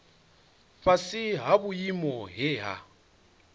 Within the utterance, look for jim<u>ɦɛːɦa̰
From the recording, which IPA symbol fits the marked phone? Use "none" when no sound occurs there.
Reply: ɔ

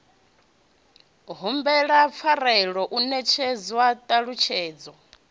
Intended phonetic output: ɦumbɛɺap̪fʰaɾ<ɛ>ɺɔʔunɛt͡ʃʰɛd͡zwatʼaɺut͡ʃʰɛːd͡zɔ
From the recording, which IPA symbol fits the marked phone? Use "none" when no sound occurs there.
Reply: ɛ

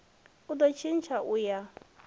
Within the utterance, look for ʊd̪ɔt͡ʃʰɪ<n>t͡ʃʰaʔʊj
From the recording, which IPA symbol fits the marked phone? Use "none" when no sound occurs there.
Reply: n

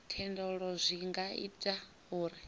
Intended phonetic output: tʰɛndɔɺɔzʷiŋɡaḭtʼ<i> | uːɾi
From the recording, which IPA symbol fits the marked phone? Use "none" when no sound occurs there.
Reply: a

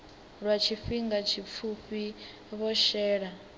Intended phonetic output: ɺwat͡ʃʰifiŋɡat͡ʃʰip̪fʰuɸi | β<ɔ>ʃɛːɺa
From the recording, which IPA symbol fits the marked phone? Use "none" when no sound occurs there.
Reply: ɔ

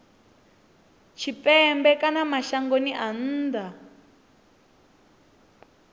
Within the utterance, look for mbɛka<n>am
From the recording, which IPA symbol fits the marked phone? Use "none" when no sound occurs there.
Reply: n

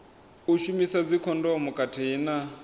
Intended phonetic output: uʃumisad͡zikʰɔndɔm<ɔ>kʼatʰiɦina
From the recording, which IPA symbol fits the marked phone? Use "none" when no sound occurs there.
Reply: u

